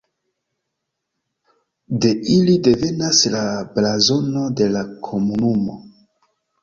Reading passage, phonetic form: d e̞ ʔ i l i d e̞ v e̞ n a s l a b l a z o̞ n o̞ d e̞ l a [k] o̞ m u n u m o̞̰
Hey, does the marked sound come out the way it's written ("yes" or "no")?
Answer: no